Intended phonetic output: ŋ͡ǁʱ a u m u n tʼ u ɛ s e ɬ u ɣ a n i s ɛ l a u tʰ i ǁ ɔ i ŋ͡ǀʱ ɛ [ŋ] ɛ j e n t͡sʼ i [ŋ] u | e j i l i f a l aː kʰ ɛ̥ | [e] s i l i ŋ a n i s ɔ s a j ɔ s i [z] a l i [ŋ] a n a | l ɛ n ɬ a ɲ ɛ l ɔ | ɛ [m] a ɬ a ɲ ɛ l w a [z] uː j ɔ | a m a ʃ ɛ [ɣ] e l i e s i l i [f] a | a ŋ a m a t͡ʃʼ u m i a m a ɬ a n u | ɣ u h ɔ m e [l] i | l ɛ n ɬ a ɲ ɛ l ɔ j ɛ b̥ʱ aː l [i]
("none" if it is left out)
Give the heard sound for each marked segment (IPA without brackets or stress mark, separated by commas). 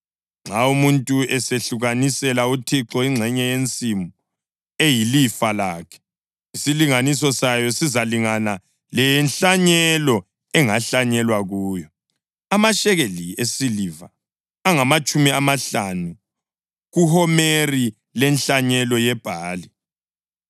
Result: ɲ, m, i, z, ŋ, ŋ, ɣ, ɣ, v, r, i